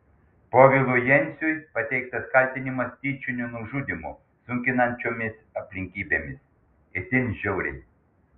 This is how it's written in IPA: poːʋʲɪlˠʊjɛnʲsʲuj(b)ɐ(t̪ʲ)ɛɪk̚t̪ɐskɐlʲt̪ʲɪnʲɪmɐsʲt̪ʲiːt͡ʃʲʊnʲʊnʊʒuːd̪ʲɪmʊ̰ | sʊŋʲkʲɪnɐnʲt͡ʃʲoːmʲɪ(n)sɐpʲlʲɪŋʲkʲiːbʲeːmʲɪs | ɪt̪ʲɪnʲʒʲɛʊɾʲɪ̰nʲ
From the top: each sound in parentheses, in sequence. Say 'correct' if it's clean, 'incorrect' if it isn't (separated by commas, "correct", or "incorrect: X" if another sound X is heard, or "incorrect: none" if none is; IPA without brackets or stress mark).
incorrect: p, correct, incorrect: none